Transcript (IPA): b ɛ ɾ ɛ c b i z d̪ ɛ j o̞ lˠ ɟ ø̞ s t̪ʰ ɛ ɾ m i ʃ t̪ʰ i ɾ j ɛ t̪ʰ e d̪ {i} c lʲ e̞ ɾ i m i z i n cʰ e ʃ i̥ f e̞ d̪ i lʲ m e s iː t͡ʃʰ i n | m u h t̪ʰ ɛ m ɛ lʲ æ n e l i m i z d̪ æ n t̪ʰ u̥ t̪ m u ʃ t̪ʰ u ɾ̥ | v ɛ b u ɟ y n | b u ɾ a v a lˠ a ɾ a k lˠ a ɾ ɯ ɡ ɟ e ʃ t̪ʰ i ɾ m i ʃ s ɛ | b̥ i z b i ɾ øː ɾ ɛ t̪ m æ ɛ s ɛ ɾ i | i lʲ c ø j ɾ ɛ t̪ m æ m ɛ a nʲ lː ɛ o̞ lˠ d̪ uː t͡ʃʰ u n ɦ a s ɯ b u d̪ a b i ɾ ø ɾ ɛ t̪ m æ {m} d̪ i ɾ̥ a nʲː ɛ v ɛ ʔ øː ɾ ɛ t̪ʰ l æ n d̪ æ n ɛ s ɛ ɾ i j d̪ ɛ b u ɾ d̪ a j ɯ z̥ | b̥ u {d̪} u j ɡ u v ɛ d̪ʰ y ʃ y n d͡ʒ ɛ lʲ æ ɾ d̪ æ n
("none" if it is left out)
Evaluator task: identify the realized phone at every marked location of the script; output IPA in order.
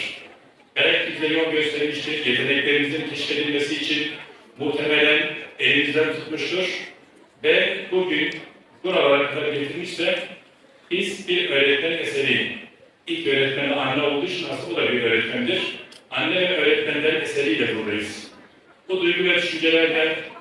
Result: ɛ, m, d̪

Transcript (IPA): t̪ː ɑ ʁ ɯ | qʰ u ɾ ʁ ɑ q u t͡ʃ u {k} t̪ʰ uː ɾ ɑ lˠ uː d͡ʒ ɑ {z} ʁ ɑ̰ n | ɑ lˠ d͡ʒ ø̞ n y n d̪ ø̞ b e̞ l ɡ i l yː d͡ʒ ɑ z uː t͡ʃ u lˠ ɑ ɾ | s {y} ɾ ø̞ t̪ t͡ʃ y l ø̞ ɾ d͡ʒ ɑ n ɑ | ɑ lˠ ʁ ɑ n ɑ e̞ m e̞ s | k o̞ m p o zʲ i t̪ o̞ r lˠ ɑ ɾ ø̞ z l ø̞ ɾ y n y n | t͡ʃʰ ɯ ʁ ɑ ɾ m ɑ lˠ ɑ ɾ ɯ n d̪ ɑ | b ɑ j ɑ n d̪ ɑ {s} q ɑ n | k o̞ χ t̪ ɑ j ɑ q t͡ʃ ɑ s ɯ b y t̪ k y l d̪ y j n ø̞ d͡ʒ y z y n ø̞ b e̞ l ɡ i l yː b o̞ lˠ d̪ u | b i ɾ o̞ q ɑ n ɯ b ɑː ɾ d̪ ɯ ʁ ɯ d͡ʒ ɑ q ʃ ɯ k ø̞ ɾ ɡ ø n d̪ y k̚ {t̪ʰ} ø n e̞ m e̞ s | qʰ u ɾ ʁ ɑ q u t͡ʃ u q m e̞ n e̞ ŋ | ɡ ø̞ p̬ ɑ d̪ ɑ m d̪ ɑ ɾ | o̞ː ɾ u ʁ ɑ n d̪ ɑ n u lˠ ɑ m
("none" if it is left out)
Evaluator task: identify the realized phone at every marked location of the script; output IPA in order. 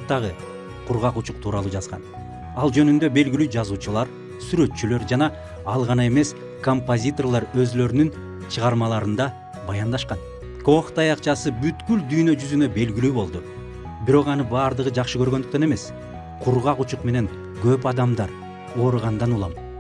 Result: q, z, y, ʃ, t̪

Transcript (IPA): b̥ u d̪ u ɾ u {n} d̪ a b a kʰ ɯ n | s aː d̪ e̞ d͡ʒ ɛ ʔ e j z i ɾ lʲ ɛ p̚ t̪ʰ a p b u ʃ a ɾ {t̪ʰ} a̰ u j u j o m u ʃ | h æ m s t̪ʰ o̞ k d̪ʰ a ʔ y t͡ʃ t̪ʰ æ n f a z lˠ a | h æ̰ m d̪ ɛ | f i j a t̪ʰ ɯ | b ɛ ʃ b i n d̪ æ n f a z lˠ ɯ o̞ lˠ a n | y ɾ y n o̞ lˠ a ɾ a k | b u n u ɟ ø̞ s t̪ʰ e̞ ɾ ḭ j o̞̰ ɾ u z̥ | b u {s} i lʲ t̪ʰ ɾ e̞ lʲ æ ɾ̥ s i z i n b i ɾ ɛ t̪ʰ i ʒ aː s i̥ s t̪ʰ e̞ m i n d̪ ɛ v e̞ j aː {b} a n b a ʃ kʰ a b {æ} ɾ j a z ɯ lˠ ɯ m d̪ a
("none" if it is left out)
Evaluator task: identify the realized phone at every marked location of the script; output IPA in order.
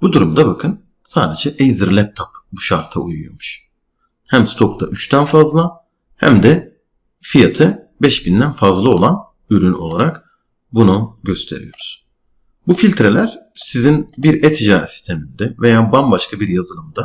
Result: m, t̪ʰ, f, b, i

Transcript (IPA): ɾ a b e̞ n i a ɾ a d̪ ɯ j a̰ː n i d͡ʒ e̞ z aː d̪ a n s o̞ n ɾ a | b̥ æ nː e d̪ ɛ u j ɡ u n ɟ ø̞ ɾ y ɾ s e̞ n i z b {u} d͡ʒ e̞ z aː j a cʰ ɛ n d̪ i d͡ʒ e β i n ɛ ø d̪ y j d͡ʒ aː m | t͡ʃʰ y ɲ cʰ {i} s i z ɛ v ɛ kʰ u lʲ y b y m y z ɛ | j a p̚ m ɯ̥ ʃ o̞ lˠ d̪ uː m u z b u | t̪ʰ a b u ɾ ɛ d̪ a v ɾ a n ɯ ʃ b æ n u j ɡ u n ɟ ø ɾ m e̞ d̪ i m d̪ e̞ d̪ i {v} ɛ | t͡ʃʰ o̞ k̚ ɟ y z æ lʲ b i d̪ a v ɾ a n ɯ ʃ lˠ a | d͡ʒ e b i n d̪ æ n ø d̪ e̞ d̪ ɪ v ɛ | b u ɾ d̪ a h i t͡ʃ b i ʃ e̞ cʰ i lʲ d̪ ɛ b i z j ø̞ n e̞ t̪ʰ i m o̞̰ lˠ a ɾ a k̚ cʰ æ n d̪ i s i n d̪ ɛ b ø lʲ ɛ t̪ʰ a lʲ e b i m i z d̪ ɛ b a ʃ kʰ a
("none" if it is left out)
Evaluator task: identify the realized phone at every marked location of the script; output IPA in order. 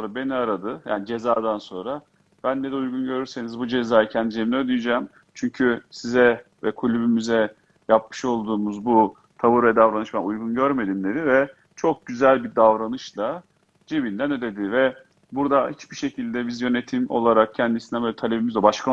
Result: u, y, v

